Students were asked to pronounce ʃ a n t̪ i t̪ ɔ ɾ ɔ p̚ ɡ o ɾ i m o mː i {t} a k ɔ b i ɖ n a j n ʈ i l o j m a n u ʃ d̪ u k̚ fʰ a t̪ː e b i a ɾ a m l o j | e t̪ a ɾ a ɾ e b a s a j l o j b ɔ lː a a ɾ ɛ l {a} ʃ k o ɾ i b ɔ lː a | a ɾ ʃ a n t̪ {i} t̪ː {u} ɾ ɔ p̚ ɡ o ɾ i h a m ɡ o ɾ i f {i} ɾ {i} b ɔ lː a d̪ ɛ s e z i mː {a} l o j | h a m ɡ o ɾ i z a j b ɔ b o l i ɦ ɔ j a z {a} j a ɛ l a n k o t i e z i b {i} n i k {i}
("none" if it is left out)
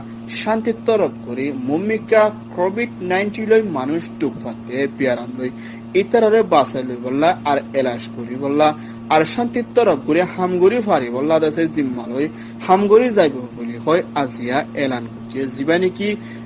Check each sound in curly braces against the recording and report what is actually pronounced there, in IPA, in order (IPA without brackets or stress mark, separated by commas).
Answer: k, a, i, ɔ, a, i, a, i, a, i